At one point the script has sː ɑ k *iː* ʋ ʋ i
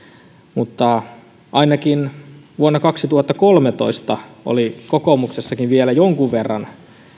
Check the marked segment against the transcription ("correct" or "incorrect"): incorrect